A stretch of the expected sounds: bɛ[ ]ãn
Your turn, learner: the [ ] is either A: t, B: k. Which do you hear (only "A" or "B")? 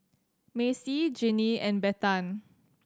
A